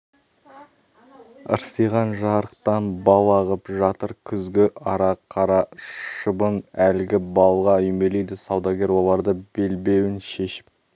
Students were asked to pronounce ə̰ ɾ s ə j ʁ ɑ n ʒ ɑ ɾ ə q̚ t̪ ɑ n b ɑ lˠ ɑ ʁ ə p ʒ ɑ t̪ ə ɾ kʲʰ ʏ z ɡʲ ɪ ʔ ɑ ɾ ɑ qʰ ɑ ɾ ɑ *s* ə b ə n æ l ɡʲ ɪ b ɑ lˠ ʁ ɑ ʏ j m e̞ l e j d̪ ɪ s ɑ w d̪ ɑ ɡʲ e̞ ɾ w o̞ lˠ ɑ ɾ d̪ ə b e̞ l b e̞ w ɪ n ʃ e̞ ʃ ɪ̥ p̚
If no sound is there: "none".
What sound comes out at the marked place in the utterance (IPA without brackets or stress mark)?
ʃ